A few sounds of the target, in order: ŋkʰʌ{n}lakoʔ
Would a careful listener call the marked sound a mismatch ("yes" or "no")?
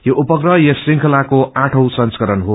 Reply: yes